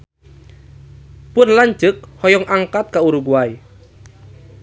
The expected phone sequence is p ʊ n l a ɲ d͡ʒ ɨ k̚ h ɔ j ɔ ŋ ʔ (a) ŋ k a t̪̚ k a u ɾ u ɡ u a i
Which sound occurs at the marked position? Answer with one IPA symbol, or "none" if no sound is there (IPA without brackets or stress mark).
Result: a